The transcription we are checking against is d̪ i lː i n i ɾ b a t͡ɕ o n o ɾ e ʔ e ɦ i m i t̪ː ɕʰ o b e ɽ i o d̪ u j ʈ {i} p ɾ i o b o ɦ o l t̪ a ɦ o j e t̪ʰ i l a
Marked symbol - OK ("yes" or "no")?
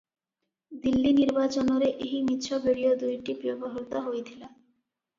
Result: yes